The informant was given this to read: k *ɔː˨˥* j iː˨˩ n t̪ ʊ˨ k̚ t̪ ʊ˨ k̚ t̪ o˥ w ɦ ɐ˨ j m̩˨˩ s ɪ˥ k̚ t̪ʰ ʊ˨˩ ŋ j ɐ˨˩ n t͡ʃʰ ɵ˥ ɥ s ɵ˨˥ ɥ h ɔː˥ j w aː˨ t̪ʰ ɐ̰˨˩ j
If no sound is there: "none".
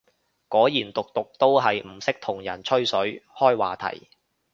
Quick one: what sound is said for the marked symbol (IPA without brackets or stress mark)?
ɔː˨˥